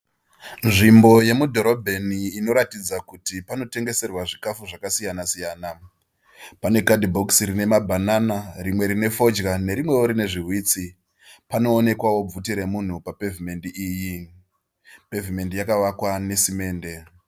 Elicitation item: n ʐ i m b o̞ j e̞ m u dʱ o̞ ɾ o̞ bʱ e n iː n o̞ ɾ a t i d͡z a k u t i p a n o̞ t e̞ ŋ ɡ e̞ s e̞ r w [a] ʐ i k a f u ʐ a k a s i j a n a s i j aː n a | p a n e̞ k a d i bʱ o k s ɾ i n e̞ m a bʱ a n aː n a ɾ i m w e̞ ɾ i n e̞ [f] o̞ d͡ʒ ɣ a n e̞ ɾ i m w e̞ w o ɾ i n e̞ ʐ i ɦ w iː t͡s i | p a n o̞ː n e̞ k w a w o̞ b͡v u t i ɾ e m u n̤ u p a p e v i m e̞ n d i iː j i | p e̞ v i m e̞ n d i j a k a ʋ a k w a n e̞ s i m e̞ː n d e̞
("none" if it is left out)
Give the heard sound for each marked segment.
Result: a, f

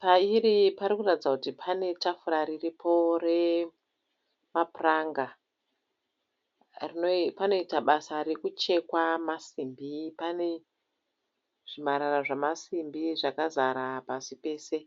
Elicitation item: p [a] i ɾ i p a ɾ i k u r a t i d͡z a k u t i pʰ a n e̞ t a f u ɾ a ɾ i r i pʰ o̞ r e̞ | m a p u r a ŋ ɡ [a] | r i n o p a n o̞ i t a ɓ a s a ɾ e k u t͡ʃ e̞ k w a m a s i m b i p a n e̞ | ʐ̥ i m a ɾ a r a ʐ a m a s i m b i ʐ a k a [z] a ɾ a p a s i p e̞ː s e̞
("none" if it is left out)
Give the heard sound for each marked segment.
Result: a, a, z

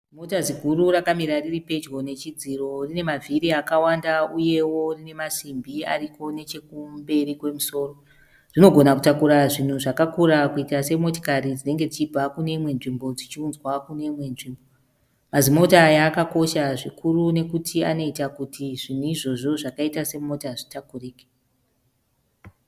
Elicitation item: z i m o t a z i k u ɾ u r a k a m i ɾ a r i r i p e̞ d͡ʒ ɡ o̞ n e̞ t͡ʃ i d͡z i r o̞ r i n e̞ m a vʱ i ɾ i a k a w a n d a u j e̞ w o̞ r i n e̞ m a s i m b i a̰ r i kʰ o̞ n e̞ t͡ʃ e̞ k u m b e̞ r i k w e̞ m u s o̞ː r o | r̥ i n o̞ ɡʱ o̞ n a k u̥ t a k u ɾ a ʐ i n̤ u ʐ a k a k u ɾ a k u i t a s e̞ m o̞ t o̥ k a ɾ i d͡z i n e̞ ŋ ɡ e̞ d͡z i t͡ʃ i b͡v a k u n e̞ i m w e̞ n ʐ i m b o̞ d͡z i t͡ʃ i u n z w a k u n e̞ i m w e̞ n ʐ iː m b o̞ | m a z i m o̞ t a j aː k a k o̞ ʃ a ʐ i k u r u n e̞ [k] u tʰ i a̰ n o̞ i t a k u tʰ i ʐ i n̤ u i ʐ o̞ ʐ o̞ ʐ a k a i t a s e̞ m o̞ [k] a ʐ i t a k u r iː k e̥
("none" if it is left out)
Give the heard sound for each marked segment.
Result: k, t

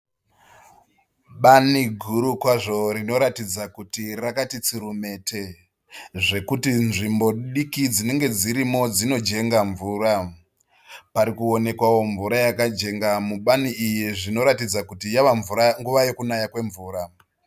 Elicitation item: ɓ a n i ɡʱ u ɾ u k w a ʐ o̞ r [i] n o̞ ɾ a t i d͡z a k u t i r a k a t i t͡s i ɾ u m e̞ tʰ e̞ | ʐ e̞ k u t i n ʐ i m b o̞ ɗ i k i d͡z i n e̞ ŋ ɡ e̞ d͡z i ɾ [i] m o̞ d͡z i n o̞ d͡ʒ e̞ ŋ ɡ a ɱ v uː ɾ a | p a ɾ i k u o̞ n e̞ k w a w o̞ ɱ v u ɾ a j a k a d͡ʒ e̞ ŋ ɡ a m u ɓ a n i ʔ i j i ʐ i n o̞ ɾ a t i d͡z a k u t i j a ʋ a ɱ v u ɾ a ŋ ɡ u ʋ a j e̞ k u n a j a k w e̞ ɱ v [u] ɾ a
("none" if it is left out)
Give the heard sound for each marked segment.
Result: i, i, uː

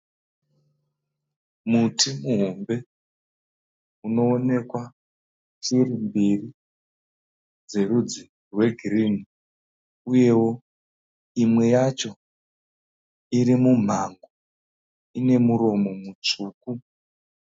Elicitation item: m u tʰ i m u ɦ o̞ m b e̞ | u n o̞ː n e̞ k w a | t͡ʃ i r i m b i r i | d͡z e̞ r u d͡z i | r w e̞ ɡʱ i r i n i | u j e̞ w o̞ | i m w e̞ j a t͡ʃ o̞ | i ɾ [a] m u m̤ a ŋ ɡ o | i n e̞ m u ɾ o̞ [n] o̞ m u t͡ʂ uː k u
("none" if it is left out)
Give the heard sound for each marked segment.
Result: i, m

